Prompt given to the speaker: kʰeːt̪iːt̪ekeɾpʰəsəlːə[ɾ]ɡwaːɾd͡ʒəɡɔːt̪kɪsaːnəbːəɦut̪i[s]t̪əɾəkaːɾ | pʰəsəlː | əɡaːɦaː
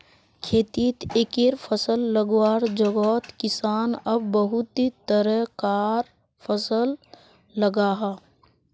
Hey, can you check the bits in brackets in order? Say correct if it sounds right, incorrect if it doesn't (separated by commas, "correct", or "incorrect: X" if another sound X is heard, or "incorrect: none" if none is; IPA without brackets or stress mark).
incorrect: none, incorrect: none